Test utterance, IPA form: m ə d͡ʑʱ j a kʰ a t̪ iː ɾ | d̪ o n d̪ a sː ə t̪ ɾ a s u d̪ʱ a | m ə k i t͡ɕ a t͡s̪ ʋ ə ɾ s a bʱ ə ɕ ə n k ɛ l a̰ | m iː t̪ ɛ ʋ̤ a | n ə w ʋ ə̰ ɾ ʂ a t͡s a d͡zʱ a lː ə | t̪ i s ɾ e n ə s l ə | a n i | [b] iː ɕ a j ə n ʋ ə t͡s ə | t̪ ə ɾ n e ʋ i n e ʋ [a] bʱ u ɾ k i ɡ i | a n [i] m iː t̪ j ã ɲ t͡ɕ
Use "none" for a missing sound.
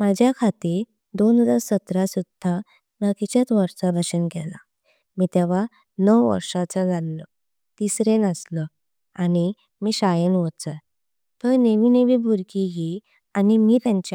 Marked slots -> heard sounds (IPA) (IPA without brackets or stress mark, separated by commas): m, i, i